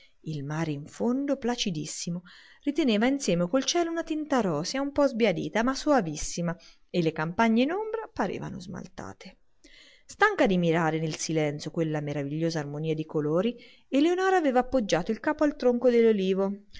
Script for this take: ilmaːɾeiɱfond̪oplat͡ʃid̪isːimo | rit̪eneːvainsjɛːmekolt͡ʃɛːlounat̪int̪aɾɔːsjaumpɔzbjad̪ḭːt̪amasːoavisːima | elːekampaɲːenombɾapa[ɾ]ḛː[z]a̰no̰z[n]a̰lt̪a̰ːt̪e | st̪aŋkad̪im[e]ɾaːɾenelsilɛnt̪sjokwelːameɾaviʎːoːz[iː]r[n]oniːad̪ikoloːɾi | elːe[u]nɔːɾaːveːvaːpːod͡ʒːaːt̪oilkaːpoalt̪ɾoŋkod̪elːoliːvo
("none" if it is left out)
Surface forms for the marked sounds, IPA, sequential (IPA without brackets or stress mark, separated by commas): ɾ, v, m, i, aː, m, o